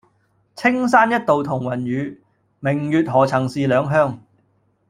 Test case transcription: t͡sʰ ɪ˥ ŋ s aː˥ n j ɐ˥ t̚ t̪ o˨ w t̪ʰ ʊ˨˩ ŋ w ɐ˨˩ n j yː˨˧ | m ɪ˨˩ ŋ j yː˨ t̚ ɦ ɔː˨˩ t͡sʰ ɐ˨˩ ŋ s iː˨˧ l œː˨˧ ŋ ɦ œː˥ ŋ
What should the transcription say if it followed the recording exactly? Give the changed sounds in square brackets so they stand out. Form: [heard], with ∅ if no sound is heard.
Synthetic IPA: t͡sʰ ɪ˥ ŋ s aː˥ n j ɐ˥ t̚ t̪ o˨ w t̪ʰ ʊ˨˩ ŋ w ɐ˨˩ n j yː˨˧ | m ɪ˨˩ ŋ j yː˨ t̚ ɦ ɔː˨˩ t͡sʰ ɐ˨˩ ŋ s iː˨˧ l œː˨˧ ŋ ɦ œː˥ ŋ